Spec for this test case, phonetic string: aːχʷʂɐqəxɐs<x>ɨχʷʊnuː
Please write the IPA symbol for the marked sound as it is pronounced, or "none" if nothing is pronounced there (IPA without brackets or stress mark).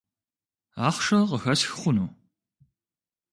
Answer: x